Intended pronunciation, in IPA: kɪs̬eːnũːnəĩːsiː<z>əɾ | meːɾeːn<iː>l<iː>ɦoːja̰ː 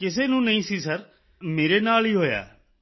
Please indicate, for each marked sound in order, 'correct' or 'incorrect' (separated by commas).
incorrect, incorrect, correct